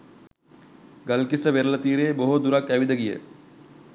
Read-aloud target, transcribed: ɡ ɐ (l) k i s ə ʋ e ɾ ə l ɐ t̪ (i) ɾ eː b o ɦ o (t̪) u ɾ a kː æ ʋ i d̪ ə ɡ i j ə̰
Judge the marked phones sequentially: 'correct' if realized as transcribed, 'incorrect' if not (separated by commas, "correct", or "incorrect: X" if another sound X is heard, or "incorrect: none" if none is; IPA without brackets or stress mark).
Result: correct, incorrect: iː, incorrect: d̪